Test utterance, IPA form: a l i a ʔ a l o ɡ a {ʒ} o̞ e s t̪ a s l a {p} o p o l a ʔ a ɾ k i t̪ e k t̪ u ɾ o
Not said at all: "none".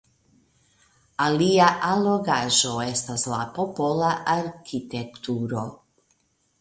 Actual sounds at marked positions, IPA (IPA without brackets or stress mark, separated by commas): ʒ, p